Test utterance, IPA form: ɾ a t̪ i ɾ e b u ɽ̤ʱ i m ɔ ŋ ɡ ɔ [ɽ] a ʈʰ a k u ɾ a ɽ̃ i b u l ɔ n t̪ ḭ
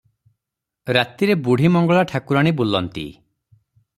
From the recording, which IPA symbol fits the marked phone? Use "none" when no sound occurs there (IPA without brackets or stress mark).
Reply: ɭ